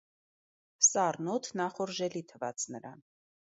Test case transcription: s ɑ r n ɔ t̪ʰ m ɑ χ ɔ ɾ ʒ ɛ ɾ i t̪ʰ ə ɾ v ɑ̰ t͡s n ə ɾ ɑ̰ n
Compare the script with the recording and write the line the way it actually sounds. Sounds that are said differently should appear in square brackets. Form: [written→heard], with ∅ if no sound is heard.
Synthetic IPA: s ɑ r n ɔ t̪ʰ [m→n] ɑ χ ɔ ɾ ʒ ɛ [ɾ→l] i t̪ʰ ə [ɾ→∅] v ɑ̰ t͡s n ə ɾ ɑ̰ n